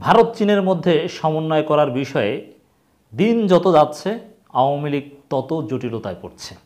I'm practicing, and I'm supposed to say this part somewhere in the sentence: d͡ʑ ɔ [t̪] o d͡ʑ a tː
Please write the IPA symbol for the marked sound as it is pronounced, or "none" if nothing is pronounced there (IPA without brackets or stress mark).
t̪